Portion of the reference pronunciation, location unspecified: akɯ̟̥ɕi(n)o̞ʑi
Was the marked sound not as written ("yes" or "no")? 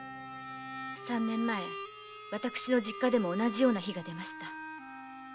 no